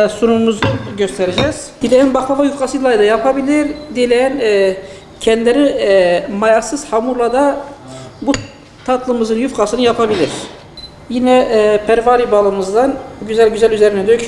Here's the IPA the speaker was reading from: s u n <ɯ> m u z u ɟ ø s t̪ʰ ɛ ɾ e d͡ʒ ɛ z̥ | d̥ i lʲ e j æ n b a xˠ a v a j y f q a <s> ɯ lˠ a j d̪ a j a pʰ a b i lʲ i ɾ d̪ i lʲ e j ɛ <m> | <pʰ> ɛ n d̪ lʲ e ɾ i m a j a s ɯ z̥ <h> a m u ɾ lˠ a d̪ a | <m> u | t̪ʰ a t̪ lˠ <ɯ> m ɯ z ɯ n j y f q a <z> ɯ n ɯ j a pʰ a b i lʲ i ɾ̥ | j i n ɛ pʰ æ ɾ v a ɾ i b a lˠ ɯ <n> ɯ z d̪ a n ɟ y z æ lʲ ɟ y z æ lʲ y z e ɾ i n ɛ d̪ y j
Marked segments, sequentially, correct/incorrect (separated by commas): incorrect, correct, incorrect, incorrect, correct, incorrect, correct, incorrect, incorrect